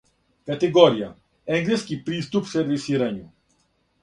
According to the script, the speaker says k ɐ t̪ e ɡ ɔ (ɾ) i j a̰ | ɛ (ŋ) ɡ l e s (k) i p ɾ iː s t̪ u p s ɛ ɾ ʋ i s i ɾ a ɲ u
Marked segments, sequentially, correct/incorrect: correct, correct, correct

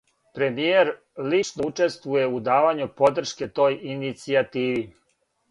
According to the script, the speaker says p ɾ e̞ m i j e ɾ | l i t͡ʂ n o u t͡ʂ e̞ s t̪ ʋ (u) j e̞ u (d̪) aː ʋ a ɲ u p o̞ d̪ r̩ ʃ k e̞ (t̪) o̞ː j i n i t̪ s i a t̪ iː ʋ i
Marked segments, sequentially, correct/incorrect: correct, correct, correct

